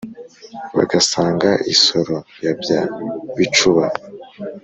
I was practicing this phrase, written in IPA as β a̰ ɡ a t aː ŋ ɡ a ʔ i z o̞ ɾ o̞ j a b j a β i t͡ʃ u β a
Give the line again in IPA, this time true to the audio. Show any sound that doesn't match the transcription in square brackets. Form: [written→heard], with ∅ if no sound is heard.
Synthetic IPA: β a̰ ɡ a [t→s] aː ŋ ɡ a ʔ i [z→s] o̞ ɾ o̞ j a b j a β i t͡ʃ u β a